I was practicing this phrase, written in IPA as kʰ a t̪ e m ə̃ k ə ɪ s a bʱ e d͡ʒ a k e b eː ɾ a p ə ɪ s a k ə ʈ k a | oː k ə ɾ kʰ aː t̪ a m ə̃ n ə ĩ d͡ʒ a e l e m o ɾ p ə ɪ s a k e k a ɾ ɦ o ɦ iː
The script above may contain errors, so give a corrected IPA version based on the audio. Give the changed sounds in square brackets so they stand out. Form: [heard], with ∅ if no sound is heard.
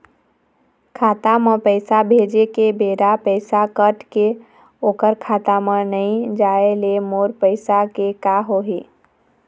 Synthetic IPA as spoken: kʰ a t̪ [a] m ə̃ [p] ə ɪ s a bʱ e d͡ʒ [e] k e b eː ɾ a p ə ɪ s a k ə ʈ k [e] | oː k ə ɾ kʰ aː t̪ a m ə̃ n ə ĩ d͡ʒ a e l e m o ɾ p ə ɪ s a k e k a [∅] ɦ o ɦ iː